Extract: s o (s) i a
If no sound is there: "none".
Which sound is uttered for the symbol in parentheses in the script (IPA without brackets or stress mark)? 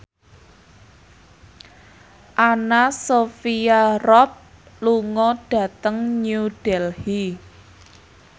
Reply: f